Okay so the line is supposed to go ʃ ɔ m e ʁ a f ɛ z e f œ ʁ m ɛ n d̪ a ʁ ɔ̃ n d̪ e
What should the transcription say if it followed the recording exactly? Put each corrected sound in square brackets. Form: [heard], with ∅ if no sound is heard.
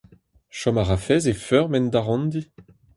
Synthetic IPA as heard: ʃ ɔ m [a] ʁ a f ɛ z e f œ ʁ m ɛ n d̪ a ʁ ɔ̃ n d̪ [i]